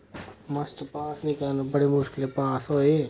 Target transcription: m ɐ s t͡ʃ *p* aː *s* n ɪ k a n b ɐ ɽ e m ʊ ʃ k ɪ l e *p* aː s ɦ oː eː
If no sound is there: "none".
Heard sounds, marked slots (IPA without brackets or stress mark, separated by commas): p, s, p